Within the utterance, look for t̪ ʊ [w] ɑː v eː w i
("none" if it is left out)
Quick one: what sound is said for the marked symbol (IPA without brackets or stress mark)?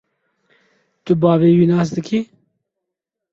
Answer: b